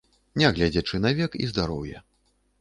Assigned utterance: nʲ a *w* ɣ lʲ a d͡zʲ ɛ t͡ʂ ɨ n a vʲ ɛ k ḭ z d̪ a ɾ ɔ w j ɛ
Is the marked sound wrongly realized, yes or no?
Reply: yes